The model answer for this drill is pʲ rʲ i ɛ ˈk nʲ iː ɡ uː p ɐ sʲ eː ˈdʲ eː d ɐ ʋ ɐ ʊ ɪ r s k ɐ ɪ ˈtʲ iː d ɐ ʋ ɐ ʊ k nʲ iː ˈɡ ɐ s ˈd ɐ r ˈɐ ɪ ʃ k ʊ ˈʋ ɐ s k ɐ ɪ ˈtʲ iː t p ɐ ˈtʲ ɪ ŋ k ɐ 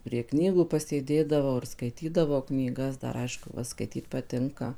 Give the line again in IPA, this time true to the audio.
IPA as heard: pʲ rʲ i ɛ ˈk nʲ iː ɡ uː p ɐ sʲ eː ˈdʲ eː d ɐ ʋ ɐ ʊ ɪ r s k ɐ ɪ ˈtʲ iː d ɐ ʋ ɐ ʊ k nʲ iː ˈɡ ɐ s ˈd ɐ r ˈɐ ɪ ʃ k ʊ ˈʋ ɐ s k ɐ ɪ ˈtʲ iː t p ɐ ˈtʲ ɪ ŋ k ɐ